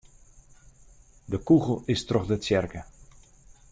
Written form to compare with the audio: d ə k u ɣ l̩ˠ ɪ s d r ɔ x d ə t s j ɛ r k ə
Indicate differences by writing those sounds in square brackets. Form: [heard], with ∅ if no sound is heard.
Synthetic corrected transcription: d ə k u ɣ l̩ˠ ɪ s [t] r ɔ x d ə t s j ɛ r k ə